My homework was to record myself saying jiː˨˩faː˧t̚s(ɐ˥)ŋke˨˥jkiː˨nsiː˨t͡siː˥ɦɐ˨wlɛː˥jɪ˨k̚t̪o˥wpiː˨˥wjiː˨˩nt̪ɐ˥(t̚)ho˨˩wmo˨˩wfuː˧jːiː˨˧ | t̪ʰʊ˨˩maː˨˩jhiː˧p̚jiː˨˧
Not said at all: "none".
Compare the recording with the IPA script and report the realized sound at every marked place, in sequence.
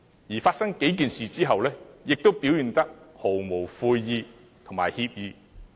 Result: ɐ˥, k̚

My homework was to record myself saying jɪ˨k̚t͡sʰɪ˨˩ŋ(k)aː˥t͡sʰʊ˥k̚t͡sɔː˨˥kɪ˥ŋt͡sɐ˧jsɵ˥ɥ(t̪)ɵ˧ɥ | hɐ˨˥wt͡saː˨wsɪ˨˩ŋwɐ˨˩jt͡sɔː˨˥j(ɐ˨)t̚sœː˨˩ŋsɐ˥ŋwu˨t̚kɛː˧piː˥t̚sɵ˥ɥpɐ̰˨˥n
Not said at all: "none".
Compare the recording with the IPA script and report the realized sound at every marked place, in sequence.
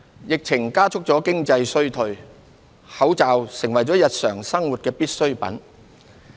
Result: k, t̪ʰ, ɐ˨

